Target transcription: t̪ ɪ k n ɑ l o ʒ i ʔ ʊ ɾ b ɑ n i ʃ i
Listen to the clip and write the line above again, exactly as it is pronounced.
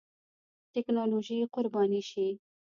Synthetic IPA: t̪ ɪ k n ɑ l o ʒ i q ʊ ɾ b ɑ n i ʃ i